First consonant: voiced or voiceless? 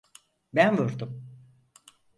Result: voiced